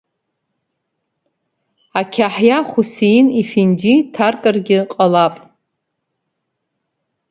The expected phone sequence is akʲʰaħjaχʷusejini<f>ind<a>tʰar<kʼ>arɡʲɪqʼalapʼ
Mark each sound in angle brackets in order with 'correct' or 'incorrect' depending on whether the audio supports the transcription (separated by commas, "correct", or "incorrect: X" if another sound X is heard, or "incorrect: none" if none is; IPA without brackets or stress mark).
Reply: correct, incorrect: i, correct